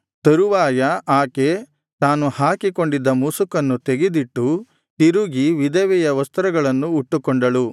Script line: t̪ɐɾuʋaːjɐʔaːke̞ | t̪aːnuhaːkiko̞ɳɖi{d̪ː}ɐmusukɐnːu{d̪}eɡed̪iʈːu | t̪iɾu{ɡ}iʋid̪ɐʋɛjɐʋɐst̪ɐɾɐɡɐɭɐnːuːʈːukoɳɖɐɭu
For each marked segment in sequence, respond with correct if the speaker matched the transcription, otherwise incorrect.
correct, incorrect: t̪, correct

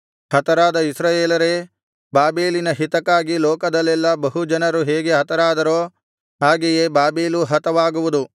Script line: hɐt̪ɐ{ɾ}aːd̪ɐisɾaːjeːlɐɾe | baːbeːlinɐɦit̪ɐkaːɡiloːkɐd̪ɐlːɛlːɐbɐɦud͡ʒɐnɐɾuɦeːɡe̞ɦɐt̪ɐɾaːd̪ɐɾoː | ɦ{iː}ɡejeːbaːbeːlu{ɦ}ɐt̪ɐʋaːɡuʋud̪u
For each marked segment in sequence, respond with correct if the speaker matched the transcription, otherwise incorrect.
correct, incorrect: aː, correct

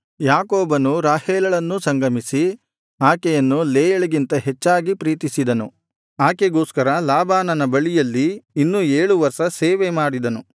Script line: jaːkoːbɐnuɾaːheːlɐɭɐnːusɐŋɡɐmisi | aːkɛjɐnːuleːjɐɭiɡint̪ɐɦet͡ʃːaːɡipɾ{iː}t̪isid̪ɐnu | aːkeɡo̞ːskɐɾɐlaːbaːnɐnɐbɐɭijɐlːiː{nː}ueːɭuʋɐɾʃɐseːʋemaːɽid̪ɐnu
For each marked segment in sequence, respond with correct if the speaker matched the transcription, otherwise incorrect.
correct, correct

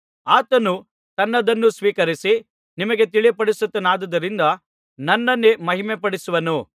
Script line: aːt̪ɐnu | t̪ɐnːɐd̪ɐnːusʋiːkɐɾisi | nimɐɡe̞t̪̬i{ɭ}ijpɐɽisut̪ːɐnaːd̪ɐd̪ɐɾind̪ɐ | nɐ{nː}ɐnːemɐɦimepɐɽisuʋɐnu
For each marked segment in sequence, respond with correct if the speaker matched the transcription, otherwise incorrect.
correct, correct

